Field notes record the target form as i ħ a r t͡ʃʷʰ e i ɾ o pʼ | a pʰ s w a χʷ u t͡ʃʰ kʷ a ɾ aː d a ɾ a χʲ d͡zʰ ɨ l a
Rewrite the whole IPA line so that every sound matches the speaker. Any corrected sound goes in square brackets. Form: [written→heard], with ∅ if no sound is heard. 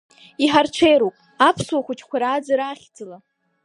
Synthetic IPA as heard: i ħ a r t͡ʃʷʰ e [i→j] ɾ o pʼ | a pʰ s w a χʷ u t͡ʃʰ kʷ a ɾ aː [d→d͡z] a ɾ a χʲ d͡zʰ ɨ l a

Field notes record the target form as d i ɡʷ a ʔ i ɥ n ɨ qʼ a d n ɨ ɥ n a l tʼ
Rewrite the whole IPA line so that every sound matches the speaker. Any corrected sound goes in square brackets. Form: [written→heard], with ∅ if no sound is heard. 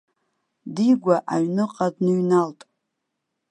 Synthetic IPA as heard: d i ɡʷ a ʔ [i→a] ɥ n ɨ qʼ a d n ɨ ɥ n a l tʼ

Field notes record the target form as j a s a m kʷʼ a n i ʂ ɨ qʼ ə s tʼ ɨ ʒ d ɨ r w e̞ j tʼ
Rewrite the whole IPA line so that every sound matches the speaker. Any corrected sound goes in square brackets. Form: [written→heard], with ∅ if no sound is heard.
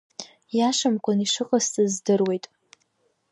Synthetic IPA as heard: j a [s→ʂ] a m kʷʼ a n i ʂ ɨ qʼ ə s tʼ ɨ [ʒ→z] d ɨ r w e̞ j tʼ

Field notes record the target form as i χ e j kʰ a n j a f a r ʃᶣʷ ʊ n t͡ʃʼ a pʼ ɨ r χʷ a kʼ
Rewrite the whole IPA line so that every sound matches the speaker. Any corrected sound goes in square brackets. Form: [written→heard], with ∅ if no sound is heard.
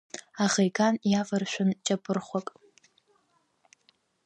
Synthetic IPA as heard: [i→a] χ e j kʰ a n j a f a r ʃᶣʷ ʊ n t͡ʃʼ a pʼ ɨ r χʷ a kʼ

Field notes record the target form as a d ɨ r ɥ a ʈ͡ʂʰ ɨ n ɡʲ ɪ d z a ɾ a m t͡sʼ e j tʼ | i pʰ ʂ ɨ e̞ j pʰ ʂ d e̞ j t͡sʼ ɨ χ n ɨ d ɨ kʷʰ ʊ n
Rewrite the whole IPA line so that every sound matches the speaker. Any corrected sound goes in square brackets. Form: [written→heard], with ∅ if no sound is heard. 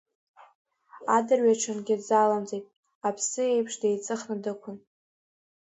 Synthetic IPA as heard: a d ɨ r ɥ a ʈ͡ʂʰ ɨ n ɡʲ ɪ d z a [ɾ→l] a m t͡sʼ e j tʼ | [i→a] pʰ [ʂ→s] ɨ e̞ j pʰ ʂ d e̞ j t͡sʼ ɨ χ n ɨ d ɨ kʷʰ ʊ n

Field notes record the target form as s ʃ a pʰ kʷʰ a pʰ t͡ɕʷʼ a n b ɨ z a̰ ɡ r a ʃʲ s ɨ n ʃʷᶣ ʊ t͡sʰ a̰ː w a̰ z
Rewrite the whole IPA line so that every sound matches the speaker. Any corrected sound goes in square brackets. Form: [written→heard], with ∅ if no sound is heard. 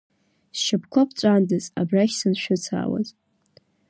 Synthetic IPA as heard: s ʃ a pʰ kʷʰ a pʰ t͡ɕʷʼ a n [b→d] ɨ z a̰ [ɡ→b] r a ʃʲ s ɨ n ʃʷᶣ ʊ t͡sʰ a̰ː w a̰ z

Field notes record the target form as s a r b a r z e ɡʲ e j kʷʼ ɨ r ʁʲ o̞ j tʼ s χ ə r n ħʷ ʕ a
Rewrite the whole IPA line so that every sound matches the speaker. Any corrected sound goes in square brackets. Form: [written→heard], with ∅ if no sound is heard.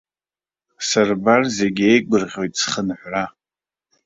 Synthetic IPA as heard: s a r b a r z e ɡʲ e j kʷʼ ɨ r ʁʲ o̞ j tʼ s χ ə [r→∅] n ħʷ ʕ a

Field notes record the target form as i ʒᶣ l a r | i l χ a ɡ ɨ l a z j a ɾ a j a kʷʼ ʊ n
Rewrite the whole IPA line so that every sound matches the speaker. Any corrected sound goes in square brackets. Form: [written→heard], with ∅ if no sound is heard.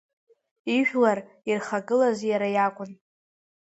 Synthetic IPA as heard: i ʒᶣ l a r | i [l→r] χ a ɡ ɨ l a z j a ɾ a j a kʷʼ ʊ n

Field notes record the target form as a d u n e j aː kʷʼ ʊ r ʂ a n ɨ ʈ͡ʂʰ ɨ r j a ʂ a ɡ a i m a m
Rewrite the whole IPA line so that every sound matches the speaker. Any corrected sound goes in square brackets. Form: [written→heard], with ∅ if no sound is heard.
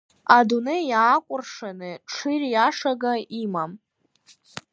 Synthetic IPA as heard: a d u n e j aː kʷʼ ʊ r ʂ a n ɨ ʈ͡ʂʰ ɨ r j a ʂ a ɡ a i m a m

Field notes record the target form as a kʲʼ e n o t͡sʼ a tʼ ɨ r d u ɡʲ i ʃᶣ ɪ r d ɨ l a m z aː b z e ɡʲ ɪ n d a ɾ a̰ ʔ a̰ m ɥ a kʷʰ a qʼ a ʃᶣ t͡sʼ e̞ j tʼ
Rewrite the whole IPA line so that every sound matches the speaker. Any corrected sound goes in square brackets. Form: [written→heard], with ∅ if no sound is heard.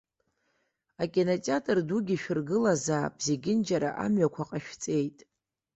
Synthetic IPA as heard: a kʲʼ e n o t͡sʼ a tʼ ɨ r d u ɡʲ i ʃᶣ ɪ r [d→ɡ] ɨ l a [m→∅] z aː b z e ɡʲ ɪ n [d→d͡ʒ] a ɾ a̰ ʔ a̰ m ɥ a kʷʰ a qʼ a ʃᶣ t͡sʼ e̞ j tʼ

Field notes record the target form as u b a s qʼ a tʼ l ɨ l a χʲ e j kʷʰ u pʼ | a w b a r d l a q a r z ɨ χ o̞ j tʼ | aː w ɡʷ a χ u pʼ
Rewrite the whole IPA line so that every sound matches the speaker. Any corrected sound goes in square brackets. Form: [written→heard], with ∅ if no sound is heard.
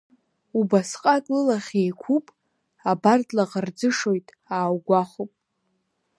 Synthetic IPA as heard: u b a s qʼ a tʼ l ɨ l a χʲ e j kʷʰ u pʼ | a [w→∅] b a r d l a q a r [z→d͡z] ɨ [χ→ʂ] o̞ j tʼ | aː w ɡʷ a χ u pʼ

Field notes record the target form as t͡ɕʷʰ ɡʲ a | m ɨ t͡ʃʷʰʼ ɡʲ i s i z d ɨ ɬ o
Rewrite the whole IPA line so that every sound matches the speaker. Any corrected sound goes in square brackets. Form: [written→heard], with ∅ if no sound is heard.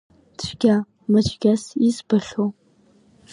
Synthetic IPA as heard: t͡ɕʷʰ ɡʲ a | m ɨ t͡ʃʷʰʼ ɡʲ [i→a] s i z [d→b] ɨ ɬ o

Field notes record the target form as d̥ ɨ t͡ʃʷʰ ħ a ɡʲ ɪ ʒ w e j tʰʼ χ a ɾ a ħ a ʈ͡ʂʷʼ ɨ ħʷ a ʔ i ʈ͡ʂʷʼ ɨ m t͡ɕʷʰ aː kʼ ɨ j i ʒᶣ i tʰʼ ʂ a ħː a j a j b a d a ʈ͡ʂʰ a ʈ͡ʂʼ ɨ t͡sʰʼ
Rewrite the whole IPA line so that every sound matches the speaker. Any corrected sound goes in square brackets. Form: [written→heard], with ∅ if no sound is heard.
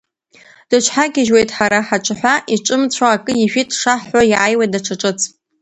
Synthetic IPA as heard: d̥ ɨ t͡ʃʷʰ ħ a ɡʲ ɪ ʒ w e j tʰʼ [χ→ħ] a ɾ a ħ a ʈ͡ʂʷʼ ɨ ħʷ a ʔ i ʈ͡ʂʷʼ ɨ m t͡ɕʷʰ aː kʼ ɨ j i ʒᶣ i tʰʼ ʂ a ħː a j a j [b→w] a d a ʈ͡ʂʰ a ʈ͡ʂʼ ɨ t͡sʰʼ

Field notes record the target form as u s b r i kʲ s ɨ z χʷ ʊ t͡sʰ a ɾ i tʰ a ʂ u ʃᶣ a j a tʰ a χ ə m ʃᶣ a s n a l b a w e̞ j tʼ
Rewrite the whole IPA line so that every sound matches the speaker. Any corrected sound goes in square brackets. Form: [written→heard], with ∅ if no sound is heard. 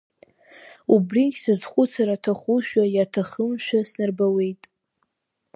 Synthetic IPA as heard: u [s→∅] b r i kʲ s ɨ z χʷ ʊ t͡sʰ a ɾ [i→a] tʰ a [ʂ→χ] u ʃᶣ a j a tʰ a χ ə m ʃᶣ a s n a [l→r] b a w e̞ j tʼ

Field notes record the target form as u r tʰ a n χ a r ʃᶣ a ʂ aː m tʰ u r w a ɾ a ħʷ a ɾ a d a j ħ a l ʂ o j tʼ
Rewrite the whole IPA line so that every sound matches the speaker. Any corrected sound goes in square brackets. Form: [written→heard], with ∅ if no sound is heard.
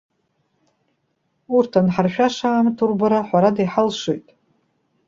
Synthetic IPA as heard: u r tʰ a n [χ→ħ] a r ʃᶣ a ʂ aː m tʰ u r [w→b] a ɾ a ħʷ a ɾ a d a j ħ a l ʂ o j tʼ

